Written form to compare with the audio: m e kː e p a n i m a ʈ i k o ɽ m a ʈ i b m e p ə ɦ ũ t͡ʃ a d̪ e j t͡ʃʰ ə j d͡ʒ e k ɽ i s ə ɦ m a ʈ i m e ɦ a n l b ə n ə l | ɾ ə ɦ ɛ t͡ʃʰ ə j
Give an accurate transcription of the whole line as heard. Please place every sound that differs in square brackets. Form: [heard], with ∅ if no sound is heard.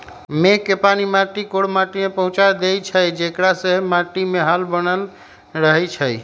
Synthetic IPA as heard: m e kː e p a n i m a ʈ i k o ɽ m a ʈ i [∅] m e p ə ɦ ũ t͡ʃ a d̪ e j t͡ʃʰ ə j d͡ʒ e k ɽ [a] s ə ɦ m a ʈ i m e ɦ a [∅] l b ə n ə l | ɾ ə ɦ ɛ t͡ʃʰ ə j